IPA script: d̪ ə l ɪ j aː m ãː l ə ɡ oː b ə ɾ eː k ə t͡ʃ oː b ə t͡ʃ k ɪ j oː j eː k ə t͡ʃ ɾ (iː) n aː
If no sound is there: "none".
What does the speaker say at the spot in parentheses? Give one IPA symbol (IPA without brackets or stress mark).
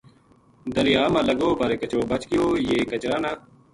aː